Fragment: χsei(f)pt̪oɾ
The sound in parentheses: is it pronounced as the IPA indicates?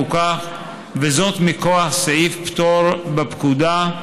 yes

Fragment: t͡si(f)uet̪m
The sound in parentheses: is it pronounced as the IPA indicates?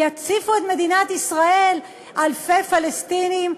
yes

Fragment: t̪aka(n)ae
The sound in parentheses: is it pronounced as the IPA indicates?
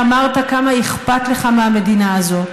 no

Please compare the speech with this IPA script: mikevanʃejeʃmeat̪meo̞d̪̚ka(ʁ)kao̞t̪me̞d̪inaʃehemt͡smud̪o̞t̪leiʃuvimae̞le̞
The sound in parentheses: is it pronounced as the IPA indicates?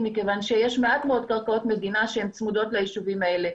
yes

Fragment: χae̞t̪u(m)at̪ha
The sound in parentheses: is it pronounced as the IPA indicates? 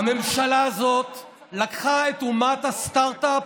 yes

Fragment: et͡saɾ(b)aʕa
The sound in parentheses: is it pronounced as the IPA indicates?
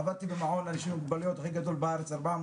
yes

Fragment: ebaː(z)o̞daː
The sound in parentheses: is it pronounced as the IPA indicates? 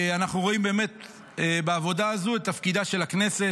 no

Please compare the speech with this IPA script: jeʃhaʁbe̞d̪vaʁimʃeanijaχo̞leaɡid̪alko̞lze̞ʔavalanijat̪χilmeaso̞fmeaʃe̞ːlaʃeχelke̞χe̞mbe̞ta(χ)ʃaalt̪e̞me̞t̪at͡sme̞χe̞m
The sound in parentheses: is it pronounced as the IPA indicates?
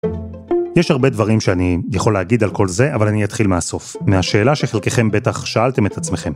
yes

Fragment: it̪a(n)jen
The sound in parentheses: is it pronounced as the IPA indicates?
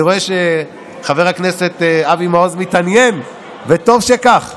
yes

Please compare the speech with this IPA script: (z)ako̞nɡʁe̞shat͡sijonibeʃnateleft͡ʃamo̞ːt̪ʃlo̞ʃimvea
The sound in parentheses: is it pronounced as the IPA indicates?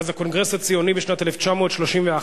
yes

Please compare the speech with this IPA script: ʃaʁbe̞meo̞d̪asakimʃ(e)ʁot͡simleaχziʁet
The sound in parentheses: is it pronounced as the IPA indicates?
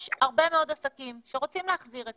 yes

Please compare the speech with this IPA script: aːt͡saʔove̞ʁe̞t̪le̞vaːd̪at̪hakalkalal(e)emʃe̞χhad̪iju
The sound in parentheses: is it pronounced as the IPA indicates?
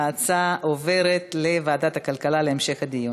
yes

